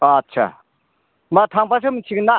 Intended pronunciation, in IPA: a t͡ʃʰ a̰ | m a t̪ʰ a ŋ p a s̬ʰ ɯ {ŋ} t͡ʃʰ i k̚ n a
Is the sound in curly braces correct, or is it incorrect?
incorrect: m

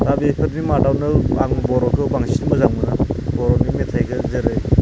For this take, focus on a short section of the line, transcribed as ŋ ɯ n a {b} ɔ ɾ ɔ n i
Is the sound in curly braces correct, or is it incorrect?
correct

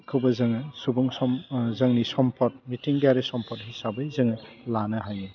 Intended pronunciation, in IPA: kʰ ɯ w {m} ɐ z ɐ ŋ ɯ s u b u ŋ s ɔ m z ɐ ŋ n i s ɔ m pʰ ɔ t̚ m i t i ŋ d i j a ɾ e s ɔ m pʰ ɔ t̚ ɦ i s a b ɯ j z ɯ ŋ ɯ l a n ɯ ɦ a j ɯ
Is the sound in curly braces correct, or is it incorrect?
incorrect: b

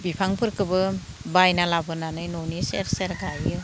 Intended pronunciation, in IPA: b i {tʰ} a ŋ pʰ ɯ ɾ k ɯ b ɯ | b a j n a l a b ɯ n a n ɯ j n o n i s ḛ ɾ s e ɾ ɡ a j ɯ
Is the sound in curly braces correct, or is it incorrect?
incorrect: pʰ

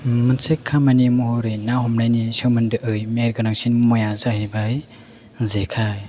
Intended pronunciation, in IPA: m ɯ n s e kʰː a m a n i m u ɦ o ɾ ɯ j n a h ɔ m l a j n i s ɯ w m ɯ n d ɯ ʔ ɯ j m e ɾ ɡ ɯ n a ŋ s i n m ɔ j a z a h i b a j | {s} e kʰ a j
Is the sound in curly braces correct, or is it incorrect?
incorrect: z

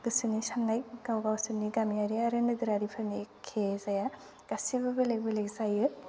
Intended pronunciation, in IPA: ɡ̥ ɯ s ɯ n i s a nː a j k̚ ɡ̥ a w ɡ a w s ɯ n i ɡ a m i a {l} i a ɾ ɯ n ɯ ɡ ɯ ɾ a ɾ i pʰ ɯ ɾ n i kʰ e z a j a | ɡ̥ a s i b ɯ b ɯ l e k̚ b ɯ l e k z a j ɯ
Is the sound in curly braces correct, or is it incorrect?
incorrect: ɾ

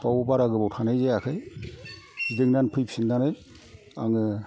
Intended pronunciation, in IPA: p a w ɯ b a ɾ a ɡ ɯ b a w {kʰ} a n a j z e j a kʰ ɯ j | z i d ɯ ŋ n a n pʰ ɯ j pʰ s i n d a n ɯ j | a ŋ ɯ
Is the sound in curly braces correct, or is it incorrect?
incorrect: tʰ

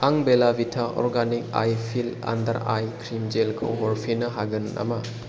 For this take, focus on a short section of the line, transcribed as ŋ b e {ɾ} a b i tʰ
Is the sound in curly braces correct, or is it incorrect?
incorrect: l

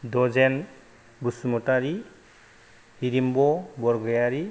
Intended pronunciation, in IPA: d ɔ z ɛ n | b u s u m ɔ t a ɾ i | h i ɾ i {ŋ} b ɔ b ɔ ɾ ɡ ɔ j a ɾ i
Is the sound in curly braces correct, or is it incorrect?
incorrect: m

